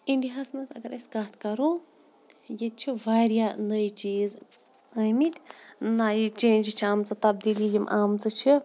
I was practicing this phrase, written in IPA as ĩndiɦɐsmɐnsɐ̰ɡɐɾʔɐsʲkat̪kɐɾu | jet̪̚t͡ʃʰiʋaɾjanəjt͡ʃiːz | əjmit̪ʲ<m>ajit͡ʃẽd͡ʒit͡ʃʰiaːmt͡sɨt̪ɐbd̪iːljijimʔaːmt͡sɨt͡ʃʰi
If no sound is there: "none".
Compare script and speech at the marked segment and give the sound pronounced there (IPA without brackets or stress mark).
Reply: n